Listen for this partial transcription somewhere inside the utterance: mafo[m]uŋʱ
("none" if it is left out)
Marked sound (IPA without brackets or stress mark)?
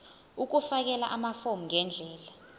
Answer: m